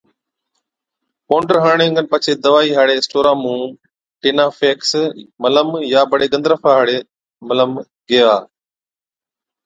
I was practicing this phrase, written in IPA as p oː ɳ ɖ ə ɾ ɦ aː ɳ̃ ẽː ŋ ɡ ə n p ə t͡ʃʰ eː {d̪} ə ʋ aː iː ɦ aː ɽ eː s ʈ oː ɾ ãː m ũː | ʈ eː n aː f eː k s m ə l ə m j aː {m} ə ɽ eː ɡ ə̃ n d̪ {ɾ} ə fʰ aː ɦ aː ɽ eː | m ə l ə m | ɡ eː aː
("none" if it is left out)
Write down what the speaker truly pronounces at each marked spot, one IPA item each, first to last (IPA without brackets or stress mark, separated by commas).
d̪, b, ɾ